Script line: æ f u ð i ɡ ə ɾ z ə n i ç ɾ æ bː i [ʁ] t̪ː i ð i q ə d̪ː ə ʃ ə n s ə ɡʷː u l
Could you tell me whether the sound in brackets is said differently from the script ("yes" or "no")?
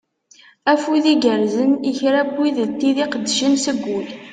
yes